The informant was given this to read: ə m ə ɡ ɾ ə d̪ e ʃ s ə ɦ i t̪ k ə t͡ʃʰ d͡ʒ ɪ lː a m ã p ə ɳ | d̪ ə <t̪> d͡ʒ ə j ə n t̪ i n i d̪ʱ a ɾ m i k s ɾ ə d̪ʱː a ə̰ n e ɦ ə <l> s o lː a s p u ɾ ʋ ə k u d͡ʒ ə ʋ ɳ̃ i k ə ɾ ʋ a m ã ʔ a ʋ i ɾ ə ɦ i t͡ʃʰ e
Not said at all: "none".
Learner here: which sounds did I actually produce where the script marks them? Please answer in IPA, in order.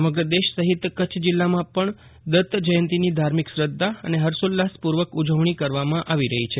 t̪, ɾ

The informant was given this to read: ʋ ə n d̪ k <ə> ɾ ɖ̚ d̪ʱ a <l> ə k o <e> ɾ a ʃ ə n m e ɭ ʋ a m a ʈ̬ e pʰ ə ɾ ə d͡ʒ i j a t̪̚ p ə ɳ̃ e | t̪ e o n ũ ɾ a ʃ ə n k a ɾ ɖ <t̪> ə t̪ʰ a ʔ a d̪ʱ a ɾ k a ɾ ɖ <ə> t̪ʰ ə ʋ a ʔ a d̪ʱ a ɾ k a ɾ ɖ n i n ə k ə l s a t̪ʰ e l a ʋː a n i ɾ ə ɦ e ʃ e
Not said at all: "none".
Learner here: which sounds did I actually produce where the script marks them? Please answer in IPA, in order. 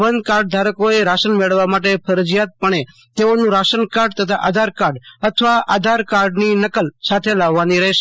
a, ɾ, e, t̪, ə

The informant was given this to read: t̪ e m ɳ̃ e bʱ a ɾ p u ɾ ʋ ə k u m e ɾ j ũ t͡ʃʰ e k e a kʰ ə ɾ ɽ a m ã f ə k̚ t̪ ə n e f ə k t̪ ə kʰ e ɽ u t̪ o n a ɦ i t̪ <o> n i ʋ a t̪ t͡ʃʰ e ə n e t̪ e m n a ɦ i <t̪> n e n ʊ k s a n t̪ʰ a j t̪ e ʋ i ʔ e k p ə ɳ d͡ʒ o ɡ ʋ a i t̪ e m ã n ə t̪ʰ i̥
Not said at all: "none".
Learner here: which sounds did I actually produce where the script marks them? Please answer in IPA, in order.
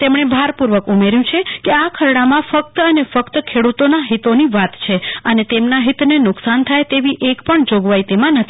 o, t̪

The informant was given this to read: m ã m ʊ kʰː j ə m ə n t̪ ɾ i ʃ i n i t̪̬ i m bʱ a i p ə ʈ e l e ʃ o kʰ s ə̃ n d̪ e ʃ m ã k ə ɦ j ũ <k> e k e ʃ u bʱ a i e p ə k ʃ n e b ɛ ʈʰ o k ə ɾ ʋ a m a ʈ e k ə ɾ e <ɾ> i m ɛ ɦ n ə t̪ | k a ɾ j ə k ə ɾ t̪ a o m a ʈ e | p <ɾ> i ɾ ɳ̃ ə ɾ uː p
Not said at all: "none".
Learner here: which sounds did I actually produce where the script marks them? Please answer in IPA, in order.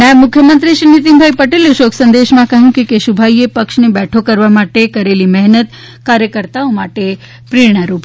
k, l, ɾ

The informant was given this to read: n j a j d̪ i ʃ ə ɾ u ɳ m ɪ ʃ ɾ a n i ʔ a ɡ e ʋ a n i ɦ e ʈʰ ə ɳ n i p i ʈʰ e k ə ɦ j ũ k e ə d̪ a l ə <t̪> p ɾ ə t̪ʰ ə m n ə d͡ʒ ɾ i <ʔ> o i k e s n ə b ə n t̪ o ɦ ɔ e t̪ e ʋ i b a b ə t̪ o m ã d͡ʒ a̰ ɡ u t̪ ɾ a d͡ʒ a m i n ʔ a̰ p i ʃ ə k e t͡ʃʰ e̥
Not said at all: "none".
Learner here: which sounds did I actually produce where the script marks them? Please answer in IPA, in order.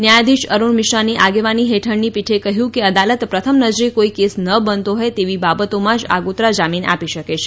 t̪, k

